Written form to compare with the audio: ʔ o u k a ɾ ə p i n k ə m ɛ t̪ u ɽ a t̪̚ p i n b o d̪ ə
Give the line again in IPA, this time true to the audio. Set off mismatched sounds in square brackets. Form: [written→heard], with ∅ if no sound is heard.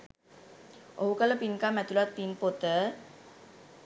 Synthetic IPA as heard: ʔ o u k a [ɾ→l] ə p i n k [ə→a] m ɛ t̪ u [ɽ→l] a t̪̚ p i n [b→p] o [d̪→t̪] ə